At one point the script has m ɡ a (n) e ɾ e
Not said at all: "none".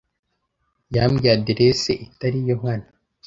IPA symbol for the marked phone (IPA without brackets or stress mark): d